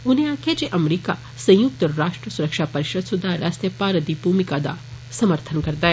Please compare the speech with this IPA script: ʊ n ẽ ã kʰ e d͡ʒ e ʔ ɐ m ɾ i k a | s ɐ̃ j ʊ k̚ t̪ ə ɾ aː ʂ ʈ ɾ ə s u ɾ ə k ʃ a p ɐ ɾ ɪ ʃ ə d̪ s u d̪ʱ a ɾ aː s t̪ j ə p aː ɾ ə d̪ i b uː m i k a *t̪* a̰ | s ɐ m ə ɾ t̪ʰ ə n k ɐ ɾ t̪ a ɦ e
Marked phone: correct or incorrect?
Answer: incorrect